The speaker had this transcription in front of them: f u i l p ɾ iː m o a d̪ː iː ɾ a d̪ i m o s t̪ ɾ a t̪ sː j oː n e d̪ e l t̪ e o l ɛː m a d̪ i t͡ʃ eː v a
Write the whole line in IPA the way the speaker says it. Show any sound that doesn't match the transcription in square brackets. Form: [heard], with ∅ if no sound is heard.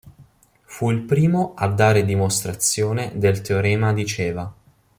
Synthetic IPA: f u i l p ɾ iː m o a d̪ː [aː] ɾ [e] d̪ i m o s t̪ ɾ a t̪ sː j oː n e d̪ e l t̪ e o [ɾ] ɛː m a d̪ i t͡ʃ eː v a